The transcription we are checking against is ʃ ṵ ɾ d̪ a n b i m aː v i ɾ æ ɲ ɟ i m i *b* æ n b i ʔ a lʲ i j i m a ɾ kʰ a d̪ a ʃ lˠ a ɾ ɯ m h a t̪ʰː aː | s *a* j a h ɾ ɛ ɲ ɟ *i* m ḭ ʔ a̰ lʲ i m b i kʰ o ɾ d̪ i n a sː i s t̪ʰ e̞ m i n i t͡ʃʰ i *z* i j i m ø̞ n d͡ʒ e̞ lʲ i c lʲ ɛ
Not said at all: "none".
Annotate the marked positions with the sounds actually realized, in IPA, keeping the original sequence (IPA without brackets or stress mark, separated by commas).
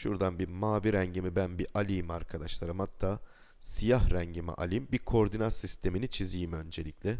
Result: b, i, i, z